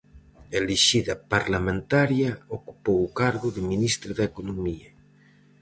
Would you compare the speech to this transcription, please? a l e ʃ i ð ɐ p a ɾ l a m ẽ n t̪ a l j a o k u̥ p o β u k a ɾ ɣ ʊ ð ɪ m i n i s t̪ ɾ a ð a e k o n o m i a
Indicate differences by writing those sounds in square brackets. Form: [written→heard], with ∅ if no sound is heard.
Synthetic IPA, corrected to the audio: [a→e] l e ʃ i ð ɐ p a ɾ l a m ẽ n t̪ a [l→ɾ] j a o k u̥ p o [β→w] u k a ɾ ɣ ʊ ð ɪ m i n i s t̪ ɾ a ð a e k o n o m i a